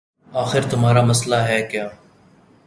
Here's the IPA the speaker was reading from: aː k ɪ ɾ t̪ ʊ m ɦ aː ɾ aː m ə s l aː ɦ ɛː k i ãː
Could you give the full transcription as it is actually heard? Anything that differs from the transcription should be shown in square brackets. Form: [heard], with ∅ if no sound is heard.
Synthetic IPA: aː [x] ɪ ɾ t̪ ʊ m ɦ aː ɾ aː m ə s l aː ɦ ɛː k [j] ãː